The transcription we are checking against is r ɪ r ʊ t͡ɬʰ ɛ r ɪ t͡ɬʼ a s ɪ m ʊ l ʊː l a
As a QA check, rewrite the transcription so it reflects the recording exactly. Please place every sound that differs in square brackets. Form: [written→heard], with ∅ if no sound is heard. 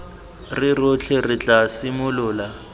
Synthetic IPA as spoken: r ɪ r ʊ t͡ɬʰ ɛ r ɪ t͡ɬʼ a s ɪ m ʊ l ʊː l a

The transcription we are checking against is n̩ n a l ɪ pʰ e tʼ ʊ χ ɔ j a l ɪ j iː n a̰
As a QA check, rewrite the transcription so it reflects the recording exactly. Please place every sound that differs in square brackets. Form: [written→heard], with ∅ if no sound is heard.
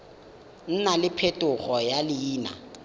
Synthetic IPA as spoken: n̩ n a l ɪ pʰ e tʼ ʊ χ ɔ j a l ɪ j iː n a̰

